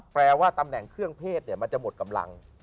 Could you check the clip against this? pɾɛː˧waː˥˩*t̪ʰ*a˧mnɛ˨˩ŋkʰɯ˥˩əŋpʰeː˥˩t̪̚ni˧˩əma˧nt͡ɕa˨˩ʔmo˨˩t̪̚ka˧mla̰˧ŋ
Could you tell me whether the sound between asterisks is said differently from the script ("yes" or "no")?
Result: yes